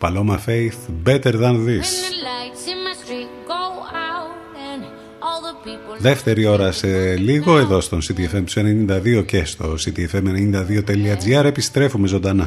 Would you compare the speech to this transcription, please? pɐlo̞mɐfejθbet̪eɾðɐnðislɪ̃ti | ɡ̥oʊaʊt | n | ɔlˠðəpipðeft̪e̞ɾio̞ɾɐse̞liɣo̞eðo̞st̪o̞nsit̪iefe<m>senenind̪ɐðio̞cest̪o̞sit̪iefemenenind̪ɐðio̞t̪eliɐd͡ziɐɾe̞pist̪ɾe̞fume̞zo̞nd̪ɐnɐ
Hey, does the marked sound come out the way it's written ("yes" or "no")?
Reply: yes